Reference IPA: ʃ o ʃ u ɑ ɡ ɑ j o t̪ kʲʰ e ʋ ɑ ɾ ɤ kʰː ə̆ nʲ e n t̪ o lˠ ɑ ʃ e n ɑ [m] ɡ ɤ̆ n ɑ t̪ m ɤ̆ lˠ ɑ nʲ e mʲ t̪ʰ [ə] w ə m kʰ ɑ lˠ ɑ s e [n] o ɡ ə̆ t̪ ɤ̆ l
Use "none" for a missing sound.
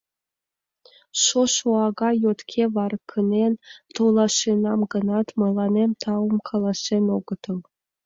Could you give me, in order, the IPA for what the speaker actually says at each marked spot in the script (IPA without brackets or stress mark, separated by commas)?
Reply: m, ɑ, n